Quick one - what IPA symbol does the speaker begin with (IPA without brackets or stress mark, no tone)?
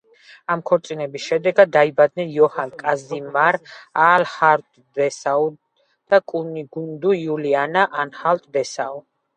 a